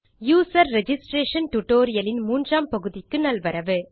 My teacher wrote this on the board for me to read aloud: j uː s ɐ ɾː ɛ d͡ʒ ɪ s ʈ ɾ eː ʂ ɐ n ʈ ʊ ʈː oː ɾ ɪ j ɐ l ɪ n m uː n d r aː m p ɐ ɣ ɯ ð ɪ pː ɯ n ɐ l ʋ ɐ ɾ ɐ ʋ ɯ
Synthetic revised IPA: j uː s ɐ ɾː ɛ d͡ʒ ɪ s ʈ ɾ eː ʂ ɐ n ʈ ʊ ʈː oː ɾ ɪ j ɐ l ɪ n m uː n d r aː m p ɐ ɣ ɯ ð ɪ kː ɯ n ɐ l ʋ ɐ ɾ ɐ ʋ ɯ